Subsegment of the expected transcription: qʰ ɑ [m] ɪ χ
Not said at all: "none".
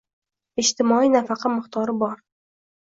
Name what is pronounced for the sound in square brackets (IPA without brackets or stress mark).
m